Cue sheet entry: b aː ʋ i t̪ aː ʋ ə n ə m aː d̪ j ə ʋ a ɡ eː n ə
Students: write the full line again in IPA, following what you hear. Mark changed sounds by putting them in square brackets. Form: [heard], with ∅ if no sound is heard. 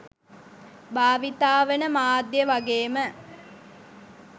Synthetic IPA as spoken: b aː ʋ i t̪ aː ʋ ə n ə m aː d̪ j ə ʋ a ɡ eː [m] ə